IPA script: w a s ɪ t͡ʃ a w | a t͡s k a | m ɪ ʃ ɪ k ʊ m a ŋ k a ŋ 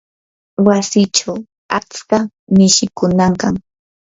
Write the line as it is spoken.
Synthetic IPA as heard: w a s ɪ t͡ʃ a w | a t͡s k a | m ɪ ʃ ɪ k ʊ n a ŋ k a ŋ